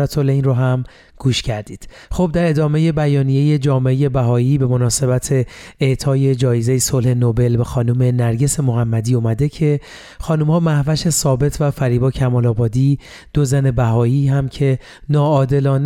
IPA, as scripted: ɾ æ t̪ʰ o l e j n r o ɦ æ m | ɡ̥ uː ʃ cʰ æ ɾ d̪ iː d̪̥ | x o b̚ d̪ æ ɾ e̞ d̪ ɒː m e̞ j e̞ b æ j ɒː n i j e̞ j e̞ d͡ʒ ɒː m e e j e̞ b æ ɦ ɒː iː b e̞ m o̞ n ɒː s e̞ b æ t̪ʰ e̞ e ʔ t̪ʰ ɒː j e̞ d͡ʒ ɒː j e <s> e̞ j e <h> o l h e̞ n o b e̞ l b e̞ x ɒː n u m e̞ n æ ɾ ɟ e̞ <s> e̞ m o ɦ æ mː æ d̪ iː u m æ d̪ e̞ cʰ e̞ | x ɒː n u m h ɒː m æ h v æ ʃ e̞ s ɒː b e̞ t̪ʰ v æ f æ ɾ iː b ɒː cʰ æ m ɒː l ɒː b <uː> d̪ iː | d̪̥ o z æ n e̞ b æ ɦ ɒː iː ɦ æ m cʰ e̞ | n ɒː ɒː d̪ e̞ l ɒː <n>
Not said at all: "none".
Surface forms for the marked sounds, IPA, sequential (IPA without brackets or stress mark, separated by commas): z, s, s, ɒː, n